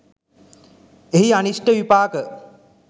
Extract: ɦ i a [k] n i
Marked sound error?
yes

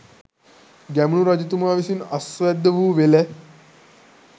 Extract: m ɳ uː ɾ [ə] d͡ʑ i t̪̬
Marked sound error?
yes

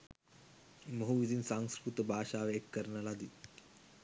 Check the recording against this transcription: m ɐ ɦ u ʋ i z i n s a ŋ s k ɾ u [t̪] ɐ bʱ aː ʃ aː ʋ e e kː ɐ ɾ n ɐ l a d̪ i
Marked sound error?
no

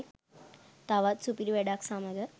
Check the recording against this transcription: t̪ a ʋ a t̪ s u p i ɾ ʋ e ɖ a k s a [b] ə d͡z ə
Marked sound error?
yes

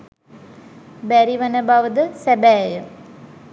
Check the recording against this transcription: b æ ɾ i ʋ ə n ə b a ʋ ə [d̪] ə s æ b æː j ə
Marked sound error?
no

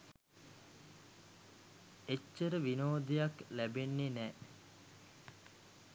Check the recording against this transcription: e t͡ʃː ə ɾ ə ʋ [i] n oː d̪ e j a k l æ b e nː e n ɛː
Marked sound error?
no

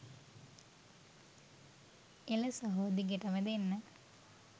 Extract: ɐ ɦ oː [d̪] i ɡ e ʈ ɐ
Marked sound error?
no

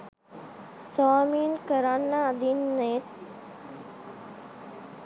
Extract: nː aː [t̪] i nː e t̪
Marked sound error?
yes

